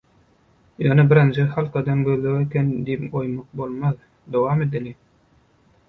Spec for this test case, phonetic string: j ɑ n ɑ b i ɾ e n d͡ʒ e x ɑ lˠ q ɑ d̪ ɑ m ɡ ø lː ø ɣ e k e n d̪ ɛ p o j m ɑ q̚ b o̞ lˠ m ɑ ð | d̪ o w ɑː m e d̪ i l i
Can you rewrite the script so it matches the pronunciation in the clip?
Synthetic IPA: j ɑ n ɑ b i ɾ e n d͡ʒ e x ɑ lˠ q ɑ d̪ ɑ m ɡ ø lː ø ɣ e k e n d̪ i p o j m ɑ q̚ b o̞ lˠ m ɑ ð | d̪ o w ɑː m e d̪ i l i